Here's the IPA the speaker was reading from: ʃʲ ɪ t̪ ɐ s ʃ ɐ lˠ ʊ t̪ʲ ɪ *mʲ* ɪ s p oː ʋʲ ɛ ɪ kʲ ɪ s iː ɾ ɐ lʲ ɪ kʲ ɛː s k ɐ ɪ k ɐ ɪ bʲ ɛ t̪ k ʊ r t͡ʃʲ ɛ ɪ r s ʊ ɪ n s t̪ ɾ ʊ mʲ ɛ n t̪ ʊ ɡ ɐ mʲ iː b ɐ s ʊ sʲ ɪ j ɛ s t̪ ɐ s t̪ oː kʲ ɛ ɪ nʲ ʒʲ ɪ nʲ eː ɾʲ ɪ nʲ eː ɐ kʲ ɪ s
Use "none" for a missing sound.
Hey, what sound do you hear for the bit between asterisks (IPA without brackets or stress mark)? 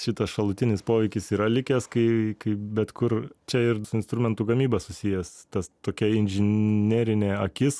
nʲ